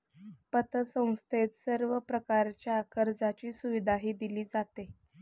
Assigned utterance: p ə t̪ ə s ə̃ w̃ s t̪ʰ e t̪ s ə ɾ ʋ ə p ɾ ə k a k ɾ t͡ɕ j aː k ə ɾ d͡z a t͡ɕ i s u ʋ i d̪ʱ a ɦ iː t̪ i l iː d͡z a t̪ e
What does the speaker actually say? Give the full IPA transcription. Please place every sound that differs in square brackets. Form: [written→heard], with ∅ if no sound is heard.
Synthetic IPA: p ə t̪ ə s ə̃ w̃ s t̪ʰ e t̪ s ə ɾ ʋ ə p ɾ ə k a [k→∅] ɾ t͡ɕ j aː k ə ɾ d͡z a t͡ɕ [i→iː] s u ʋ i d̪ʱ a ɦ iː [t̪→d̪] i l iː d͡z a t̪ e